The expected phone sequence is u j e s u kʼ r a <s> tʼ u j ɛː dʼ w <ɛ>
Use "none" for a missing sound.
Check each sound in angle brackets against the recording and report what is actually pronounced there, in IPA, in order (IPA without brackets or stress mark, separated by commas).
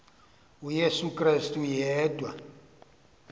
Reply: s, a